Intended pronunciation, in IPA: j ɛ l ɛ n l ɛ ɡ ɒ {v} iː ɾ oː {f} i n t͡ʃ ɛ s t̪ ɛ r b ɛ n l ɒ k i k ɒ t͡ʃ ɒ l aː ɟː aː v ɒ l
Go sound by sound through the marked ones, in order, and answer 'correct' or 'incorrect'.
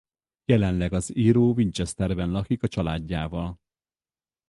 incorrect: z, incorrect: v

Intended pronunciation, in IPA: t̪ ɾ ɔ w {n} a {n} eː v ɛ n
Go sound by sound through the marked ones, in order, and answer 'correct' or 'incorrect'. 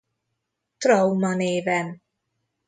incorrect: m, correct

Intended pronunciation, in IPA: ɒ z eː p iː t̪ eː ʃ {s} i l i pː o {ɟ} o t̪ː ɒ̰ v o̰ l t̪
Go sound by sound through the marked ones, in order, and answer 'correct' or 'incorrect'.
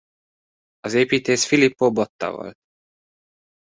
incorrect: f, incorrect: b

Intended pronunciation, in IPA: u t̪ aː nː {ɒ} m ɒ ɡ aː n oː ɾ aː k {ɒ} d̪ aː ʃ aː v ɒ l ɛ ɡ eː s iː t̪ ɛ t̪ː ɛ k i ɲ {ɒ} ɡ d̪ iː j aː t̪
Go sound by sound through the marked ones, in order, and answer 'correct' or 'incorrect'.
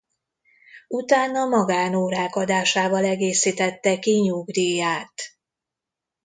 correct, correct, incorrect: u

